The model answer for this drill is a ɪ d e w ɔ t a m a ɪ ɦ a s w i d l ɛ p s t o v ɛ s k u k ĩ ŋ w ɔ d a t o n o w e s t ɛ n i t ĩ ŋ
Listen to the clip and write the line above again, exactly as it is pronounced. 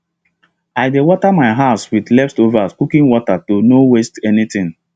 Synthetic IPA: a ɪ d e w ɔ t a m a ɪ ɦ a s w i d l ɛ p s t o v a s k u k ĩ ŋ w ɔ t a t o n o w e s t ɛ n i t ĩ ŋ